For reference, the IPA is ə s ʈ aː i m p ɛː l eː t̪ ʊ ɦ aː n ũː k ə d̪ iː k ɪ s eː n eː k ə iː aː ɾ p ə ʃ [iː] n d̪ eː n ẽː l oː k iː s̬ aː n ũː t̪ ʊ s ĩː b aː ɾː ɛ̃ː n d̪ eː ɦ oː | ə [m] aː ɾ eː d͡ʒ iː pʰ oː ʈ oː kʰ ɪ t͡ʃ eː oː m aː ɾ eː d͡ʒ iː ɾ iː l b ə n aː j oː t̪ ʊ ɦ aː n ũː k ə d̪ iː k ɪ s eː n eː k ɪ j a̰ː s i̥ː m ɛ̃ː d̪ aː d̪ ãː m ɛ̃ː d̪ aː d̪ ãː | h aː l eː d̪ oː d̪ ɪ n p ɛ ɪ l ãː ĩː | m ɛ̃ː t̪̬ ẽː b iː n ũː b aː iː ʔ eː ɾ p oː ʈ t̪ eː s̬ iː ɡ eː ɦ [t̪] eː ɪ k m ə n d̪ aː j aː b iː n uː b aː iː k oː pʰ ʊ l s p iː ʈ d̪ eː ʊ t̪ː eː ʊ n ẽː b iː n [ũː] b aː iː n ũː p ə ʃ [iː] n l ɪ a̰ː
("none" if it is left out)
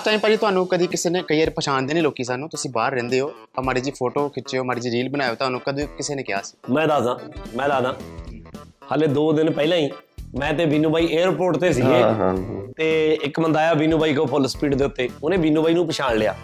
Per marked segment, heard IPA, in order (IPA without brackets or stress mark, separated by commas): aː, m, t̪, uː, aː